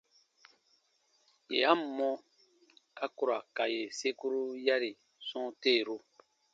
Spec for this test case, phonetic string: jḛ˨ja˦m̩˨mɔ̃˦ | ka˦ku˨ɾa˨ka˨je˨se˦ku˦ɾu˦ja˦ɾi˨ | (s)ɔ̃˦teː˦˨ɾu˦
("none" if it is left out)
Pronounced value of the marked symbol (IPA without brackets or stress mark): s